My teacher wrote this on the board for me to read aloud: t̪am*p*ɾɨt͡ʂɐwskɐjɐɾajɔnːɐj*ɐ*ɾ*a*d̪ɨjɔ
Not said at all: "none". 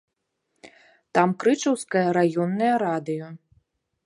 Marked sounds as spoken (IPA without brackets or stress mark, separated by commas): k, ɐ, a